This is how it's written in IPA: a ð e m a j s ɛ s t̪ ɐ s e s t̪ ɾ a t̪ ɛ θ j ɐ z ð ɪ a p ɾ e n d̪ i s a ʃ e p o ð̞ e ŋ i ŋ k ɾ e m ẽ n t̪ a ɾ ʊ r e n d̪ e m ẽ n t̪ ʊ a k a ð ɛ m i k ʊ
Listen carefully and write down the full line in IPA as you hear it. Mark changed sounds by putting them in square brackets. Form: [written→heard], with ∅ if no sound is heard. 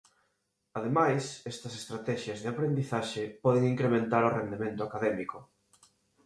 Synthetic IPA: a ð e m a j s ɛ s t̪ ɐ s e s t̪ ɾ a t̪ ɛ [θ→ʃ] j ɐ z ð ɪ a p ɾ e n d̪ i [s→θ] a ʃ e p [o→ɔ] ð̞ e ŋ i ŋ k ɾ e m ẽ n t̪ a ɾ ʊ r e n d̪ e m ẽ n t̪ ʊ a k a ð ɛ m i k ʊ